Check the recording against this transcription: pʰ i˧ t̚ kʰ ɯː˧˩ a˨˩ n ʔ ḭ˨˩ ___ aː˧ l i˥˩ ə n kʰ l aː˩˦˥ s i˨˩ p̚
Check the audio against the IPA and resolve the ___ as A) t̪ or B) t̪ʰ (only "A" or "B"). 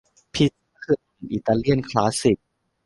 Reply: A